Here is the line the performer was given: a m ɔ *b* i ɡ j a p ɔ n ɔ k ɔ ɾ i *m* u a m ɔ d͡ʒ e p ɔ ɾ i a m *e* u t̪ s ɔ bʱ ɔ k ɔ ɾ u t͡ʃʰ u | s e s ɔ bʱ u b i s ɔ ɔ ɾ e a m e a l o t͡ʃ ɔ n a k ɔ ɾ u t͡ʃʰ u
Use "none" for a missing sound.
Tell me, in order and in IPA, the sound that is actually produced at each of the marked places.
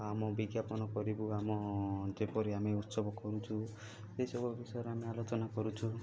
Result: b, b, e

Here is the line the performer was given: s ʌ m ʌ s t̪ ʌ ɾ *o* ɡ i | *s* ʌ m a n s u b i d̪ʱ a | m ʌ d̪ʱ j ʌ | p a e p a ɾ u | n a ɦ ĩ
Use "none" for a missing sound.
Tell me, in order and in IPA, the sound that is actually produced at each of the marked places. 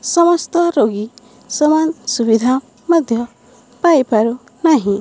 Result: o, s

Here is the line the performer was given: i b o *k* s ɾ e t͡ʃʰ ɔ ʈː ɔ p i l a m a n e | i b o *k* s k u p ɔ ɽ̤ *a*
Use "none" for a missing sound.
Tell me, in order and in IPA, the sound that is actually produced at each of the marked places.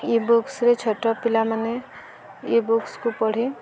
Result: k, k, i

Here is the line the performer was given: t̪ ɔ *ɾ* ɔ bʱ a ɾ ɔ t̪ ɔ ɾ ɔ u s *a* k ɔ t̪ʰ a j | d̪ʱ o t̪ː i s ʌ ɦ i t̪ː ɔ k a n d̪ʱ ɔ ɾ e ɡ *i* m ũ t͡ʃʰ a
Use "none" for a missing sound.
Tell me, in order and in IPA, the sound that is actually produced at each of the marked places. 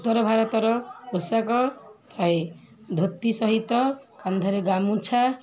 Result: ɾ, a, a

